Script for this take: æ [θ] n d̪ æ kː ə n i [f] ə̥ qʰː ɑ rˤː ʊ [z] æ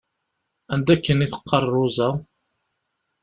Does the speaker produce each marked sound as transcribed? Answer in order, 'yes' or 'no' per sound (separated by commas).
no, no, yes